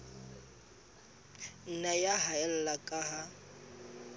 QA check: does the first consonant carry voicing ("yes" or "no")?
yes